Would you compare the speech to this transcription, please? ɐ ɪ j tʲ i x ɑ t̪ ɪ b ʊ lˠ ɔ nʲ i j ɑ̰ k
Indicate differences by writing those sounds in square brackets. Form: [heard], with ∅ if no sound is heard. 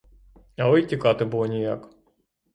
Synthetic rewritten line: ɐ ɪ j tʲ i [k] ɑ t̪ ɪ b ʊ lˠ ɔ nʲ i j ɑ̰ k

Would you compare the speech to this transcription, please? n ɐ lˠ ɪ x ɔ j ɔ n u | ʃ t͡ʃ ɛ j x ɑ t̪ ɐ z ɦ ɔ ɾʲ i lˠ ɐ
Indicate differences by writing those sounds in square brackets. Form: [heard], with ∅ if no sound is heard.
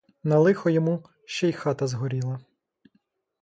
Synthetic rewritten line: n ɐ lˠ ɪ x ɔ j ɔ [m] u | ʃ t͡ʃ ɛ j x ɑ t̪ ɐ z ɦ ɔ ɾʲ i lˠ ɐ

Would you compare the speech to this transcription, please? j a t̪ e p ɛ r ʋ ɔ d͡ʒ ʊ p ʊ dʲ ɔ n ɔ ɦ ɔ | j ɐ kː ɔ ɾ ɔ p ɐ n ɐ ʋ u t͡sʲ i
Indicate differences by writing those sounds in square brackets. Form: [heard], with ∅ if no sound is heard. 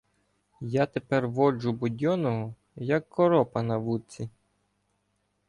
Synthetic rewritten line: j a t̪ e p ɛ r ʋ ɔ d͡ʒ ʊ [b] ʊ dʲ ɔ n ɔ ɦ ɔ | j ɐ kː ɔ ɾ ɔ p ɐ n ɐ ʋ u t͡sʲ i

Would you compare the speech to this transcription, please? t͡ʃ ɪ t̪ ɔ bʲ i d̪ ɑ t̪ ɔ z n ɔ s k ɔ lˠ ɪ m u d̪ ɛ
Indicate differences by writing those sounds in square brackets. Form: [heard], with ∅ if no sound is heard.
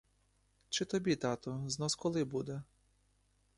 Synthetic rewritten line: t͡ʃ ɪ t̪ ɔ bʲ i [t̪] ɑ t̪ ɔ z n ɔ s k ɔ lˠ ɪ [b] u d̪ ɛ

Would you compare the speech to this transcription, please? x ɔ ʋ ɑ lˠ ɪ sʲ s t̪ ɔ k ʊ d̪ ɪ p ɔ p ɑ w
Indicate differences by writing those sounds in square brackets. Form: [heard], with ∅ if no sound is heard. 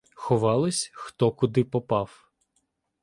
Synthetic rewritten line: x ɔ ʋ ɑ lˠ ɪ sʲ [x] t̪ ɔ k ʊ d̪ ɪ p ɔ p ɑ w

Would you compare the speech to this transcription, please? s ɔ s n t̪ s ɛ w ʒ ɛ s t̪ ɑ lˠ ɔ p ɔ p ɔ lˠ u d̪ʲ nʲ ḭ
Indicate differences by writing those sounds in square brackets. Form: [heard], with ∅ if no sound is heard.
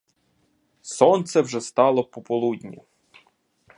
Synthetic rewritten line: s ɔ [∅] n t̪ s ɛ w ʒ ɛ s t̪ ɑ lˠ ɔ p ɔ p ɔ lˠ u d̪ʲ nʲ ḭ

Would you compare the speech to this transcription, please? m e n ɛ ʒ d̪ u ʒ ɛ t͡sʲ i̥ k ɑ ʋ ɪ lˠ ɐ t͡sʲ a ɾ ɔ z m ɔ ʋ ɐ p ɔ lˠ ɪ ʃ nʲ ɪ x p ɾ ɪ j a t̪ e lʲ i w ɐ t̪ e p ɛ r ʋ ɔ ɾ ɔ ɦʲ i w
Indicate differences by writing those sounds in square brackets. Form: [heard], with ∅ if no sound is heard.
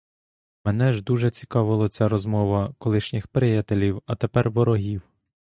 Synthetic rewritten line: m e n ɛ ʒ d̪ u ʒ ɛ t͡sʲ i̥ k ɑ ʋ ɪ lˠ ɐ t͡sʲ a ɾ ɔ z m ɔ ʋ ɐ [k] ɔ lˠ ɪ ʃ nʲ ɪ x p ɾ ɪ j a t̪ e lʲ i w ɐ t̪ e p ɛ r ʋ ɔ ɾ ɔ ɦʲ i w

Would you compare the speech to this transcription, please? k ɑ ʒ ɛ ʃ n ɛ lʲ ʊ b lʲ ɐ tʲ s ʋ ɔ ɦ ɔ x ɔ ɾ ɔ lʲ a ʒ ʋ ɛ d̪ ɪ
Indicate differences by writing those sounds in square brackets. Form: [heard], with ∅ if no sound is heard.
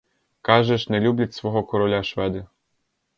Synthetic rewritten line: k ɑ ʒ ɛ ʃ n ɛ lʲ [u] b lʲ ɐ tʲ s ʋ ɔ ɦ ɔ [k] ɔ ɾ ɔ lʲ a [ʃ] ʋ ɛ d̪ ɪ

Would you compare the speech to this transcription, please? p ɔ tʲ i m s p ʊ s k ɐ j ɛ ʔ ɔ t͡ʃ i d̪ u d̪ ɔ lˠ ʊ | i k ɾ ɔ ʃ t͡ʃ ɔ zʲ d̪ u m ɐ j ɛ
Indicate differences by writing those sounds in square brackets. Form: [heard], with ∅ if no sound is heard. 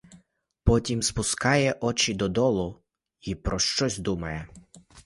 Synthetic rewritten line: p ɔ tʲ i m s p ʊ s k [ɑ] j ɛ ʔ ɔ t͡ʃ i d̪ [ɔ] d̪ ɔ lˠ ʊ | i [p] ɾ ɔ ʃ t͡ʃ ɔ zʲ d̪ u m ɐ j ɛ

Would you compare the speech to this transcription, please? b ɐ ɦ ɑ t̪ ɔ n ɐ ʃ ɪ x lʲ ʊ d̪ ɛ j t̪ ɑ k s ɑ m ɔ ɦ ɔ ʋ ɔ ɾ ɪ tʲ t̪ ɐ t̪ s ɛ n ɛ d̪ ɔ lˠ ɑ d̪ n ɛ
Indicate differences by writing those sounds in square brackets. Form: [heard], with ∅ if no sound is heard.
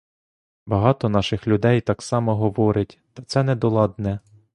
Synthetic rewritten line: b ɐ ɦ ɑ t̪ ɔ n [ɑ] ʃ ɪ x lʲ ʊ d̪ ɛ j t̪ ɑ k s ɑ m ɔ ɦ ɔ ʋ ɔ ɾ ɪ tʲ t̪ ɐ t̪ s ɛ n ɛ d̪ ɔ lˠ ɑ d̪ n ɛ

